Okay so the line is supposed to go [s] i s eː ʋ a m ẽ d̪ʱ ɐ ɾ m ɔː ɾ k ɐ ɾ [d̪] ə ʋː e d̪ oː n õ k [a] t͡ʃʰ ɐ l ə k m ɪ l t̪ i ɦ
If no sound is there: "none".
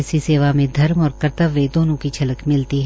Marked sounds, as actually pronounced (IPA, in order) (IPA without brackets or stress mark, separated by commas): s, t̪, i